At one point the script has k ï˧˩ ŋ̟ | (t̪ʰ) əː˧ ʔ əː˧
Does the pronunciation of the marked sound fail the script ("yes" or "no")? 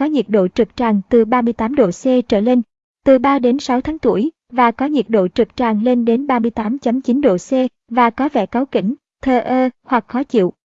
no